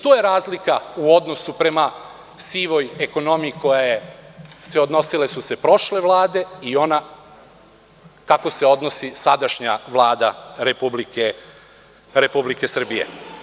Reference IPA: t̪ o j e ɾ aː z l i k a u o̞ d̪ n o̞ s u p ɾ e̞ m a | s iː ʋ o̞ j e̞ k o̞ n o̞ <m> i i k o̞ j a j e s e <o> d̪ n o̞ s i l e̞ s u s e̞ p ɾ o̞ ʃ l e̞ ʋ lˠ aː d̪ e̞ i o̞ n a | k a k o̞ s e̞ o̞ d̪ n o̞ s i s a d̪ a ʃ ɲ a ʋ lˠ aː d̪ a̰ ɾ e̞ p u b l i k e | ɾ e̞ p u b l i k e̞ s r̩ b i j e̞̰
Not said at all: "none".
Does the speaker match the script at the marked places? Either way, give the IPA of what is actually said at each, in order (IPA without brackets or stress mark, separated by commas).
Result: m, o